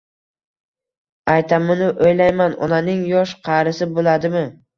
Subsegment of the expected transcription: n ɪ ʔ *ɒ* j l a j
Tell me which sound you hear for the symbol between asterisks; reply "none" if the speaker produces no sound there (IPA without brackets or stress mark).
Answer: o